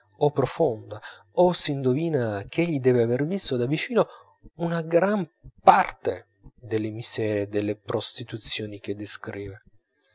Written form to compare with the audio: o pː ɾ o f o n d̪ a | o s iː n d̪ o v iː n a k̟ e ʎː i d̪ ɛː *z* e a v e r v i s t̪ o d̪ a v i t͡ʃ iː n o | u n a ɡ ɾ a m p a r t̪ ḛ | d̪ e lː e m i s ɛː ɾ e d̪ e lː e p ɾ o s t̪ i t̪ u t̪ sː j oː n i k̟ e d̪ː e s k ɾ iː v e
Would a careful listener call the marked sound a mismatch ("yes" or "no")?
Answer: yes